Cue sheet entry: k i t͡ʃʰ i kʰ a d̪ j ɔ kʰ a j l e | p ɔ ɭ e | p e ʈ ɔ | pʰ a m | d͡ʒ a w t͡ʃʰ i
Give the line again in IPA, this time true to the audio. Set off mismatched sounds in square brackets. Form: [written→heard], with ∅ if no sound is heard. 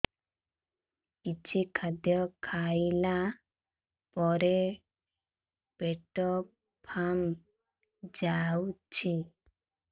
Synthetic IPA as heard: k i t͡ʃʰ i kʰ a d̪ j ɔ kʰ a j l [e→a] | p ɔ [ɭ→ɾ] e | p e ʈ ɔ | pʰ a m | d͡ʒ a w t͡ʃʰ i